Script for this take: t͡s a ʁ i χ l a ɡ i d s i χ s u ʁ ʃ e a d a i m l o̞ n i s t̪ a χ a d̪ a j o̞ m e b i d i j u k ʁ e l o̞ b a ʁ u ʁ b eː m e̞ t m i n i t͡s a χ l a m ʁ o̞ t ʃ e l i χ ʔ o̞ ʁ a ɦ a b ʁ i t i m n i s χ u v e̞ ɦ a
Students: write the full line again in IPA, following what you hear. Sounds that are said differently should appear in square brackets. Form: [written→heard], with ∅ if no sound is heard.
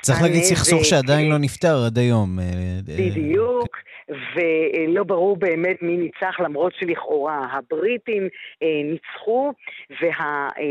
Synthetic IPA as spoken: t͡s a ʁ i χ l a ɡ i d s i χ s u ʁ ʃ e a d a i [m→n] l o̞ n i [s→f] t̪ a [χ→ʁ] a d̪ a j o̞ m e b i d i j u k [ʁ→v] e l o̞ b a ʁ u ʁ b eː m e̞ t m i n i t͡s a χ l a m ʁ o̞ t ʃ e l i χ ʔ o̞ ʁ a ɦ a b ʁ i t i m n i [s→t͡s] χ u v e̞ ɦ a